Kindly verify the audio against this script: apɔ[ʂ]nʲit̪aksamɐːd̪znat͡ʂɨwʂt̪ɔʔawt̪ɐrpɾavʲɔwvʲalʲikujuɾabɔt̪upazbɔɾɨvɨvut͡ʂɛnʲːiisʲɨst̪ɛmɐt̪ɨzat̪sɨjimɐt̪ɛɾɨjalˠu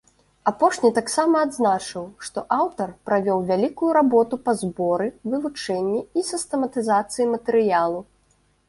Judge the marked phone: correct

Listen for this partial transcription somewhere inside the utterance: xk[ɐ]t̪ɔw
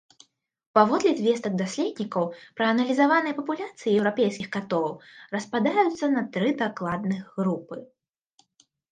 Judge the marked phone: incorrect: a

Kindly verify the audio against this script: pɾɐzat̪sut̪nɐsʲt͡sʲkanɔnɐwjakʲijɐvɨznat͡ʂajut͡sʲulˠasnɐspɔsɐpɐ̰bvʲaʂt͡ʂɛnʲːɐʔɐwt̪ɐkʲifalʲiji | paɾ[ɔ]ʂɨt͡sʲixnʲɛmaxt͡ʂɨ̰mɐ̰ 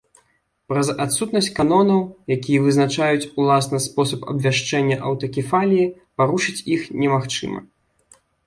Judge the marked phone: incorrect: u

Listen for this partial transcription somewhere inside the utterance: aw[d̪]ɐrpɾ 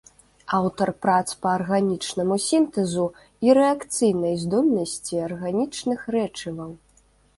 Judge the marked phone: incorrect: t̪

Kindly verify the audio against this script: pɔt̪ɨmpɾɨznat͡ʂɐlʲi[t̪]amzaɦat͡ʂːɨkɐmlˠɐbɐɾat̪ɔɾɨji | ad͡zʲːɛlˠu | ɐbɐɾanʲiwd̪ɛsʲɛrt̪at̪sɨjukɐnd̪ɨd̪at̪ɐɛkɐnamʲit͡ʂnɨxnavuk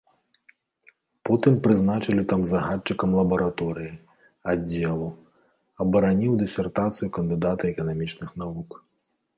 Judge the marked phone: correct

